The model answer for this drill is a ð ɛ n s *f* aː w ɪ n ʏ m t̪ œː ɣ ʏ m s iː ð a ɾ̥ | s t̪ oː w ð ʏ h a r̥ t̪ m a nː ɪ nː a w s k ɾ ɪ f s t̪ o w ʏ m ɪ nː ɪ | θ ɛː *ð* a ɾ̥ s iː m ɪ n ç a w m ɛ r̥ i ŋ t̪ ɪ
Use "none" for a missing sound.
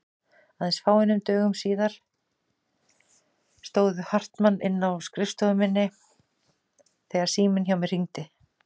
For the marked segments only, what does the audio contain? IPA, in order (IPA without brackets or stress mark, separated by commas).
f, ɣ